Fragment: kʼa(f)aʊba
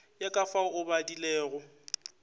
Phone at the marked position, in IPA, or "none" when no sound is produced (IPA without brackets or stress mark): f